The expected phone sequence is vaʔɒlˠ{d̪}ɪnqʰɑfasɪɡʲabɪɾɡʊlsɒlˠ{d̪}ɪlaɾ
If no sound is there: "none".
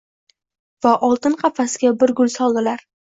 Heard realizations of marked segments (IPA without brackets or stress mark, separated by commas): t̪, d̪